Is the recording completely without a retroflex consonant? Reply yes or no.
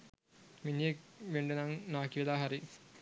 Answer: no